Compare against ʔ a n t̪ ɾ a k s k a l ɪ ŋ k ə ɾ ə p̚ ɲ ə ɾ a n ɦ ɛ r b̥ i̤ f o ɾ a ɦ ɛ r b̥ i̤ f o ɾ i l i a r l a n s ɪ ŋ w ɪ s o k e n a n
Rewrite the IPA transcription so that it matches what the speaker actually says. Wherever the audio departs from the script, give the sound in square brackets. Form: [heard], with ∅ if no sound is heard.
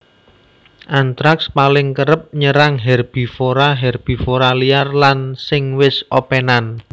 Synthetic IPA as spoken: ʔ a n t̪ ɾ a k s [p] a l ɪ ŋ k ə ɾ ə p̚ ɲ ə ɾ a [ŋ] ɦ ɛ r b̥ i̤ f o ɾ a ɦ ɛ r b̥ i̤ f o ɾ [a] l i a r l a n s ɪ ŋ w ɪ s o [p] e n a n